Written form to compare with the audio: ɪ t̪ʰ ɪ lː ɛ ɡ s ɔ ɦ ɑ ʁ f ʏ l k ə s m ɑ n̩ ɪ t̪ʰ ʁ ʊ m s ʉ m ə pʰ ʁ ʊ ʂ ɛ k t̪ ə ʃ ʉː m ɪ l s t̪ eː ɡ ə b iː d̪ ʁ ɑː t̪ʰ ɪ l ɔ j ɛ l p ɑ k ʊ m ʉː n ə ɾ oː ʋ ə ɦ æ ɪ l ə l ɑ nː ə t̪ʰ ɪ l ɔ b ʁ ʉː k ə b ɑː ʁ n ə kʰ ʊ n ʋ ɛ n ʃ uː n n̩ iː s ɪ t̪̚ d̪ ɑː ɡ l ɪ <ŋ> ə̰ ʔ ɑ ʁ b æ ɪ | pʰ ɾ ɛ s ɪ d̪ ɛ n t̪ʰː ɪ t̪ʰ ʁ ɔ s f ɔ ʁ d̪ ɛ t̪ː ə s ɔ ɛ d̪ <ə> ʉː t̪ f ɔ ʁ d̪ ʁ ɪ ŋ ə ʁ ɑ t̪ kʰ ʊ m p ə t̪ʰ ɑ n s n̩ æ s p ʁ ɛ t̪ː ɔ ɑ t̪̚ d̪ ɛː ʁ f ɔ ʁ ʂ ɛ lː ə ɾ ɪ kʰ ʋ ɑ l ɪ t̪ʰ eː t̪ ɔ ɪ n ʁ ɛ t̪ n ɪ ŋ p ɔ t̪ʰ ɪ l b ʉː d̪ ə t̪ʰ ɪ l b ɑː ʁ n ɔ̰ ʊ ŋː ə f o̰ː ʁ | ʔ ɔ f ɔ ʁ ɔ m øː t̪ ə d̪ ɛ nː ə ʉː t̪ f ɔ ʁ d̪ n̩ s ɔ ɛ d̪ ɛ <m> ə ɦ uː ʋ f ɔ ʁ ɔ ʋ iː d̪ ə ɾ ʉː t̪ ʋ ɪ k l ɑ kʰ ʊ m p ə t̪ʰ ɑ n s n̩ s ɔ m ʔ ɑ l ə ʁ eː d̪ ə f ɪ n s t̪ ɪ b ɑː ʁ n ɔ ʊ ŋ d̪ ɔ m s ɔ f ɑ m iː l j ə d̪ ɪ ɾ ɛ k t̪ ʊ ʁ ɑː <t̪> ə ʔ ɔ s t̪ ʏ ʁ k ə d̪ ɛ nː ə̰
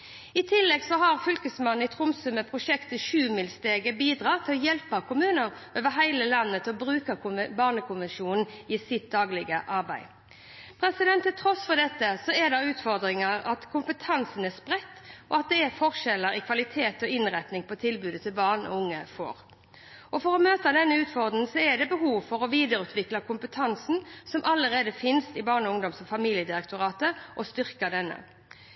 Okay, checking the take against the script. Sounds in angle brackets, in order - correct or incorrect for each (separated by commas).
incorrect, incorrect, incorrect, correct